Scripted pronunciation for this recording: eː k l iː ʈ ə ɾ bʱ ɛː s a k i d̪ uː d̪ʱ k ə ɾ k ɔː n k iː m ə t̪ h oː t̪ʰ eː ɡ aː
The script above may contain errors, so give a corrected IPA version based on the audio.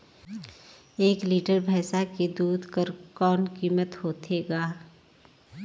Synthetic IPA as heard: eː k l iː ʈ ə ɾ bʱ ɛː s a k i d̪ uː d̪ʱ k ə ɾ k ɔː n k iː m ə t̪ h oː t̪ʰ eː ɡ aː

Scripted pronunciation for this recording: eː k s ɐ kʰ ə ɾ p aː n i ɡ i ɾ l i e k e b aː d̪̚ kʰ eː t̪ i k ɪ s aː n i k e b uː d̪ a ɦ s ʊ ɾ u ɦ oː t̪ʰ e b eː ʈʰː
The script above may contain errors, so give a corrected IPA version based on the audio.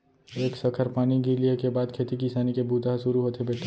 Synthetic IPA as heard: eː k s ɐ kʰ ə ɾ p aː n i ɡ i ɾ l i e k e b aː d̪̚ kʰ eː t̪ i k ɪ s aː n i k e b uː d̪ a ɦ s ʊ ɾ u ɦ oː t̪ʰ e b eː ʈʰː

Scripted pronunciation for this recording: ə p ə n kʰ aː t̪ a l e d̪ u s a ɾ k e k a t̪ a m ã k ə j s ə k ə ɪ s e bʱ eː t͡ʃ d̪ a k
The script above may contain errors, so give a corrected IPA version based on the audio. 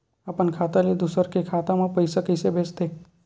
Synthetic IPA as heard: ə p ə n kʰ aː t̪ a l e d̪ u s ə ɾ k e kʰ a t̪ a m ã p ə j s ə k ə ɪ s e bʱ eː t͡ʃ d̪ e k

